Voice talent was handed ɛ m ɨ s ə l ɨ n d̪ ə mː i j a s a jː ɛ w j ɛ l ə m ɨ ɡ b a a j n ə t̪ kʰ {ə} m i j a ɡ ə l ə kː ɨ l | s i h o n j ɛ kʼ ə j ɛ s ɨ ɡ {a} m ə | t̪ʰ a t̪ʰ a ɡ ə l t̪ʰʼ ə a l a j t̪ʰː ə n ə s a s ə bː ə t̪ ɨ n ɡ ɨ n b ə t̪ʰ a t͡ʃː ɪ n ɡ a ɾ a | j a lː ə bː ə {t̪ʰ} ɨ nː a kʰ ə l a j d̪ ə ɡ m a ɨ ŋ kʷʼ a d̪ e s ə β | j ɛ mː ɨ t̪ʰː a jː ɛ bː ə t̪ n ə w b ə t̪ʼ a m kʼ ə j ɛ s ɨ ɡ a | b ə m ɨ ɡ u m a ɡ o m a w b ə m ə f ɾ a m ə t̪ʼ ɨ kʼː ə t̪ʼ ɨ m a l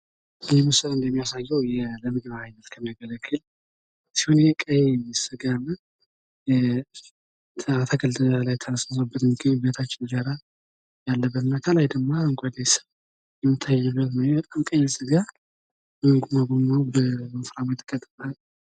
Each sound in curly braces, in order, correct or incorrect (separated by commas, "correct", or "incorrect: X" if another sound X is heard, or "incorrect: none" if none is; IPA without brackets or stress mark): correct, correct, incorrect: t̪